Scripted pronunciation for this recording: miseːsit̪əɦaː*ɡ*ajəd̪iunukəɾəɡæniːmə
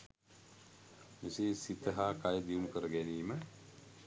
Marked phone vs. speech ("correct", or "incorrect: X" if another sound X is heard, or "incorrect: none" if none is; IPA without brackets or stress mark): incorrect: k